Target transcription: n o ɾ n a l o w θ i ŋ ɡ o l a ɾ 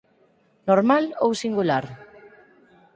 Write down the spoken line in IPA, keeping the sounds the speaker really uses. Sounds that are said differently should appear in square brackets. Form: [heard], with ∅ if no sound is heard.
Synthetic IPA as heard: n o ɾ [m] a l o w [s] i ŋ ɡ [u] l a ɾ